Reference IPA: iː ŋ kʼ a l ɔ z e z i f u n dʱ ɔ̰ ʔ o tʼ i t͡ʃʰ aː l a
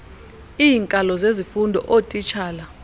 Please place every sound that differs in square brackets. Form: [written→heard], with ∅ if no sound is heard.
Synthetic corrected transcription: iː ŋ kʼ a l ɔ z e z i f u n dʱ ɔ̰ ʔ o tʼ i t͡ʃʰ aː l a